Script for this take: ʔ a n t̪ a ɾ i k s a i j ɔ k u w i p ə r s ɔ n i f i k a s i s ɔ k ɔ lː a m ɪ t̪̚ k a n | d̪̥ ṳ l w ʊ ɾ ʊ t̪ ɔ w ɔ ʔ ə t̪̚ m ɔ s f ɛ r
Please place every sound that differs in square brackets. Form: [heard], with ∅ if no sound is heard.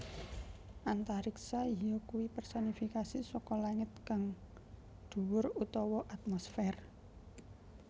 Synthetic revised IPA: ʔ a n t̪ a ɾ i k s a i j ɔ k u w i p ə r s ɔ n i f i k a s i s ɔ k ɔ [l] a [ŋ] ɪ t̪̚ k a [ŋ] | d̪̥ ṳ [∅] w ʊ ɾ [u] t̪ ɔ w ɔ ʔ [a] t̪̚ m ɔ s f ɛ r